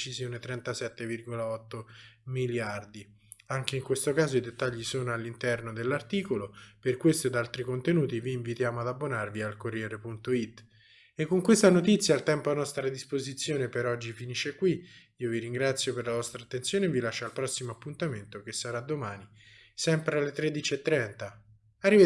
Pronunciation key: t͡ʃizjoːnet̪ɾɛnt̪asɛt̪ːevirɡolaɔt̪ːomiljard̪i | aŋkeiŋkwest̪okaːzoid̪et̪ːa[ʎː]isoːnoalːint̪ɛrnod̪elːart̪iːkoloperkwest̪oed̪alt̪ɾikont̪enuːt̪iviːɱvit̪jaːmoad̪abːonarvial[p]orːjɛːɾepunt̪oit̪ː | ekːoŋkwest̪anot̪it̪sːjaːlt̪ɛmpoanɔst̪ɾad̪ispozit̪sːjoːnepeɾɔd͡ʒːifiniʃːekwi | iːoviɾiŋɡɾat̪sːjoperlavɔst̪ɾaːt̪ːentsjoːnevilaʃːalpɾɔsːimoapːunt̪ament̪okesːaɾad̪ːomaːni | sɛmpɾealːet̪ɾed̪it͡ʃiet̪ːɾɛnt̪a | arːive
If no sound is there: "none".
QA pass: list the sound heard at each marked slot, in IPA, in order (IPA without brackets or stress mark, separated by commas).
ʎː, k